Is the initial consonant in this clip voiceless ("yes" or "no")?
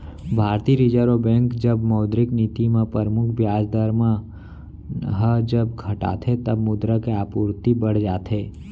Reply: no